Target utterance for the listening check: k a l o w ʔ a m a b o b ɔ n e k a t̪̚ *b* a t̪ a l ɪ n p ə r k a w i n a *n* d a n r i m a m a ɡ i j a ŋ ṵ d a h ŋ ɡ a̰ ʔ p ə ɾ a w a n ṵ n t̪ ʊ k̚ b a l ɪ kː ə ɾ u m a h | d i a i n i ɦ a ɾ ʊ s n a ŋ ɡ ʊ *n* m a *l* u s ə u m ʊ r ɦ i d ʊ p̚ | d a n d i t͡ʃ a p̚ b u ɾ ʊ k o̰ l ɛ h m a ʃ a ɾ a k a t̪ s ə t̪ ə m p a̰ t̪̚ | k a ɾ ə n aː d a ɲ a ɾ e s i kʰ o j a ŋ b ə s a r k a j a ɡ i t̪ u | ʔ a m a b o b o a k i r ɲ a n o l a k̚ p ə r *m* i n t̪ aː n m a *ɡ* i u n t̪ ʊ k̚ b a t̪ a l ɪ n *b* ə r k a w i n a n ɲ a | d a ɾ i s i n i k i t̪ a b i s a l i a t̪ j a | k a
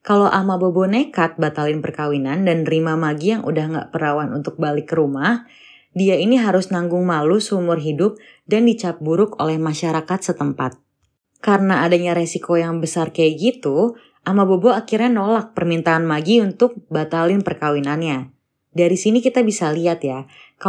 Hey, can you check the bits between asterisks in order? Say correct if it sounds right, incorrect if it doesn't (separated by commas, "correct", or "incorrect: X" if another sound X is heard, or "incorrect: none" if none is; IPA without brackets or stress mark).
correct, correct, incorrect: ŋ, correct, correct, correct, incorrect: p